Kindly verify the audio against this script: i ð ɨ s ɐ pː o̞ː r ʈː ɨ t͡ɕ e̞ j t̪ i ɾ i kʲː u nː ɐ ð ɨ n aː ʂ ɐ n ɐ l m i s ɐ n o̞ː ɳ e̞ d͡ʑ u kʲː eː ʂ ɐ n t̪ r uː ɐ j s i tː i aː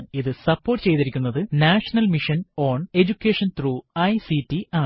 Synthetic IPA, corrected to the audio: i ð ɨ s ɐ pː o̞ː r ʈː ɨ t͡ɕ e̞ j t̪ i ɾ i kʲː u nː ɐ ð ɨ n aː ʂ ɐ n ɐ l m i ʂ ɐ n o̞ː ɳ e̞ d͡ʑ u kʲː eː ʂ ɐ n t̪ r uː ɐ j s i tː i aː